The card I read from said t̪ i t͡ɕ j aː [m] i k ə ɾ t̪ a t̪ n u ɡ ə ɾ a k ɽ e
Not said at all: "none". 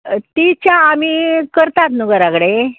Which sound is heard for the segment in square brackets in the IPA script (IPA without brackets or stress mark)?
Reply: m